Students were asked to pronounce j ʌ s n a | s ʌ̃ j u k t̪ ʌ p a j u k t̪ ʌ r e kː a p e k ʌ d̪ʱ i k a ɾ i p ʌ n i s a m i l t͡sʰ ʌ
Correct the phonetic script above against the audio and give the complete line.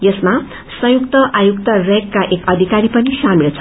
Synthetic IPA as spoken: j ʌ s m a | s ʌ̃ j u k t̪ ʌ ʔ a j u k t̪ ʌ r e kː a ʔ e k ʌ d̪ʱ i k a ɾ i p ʌ n i s a m i l t͡sʰ ʌ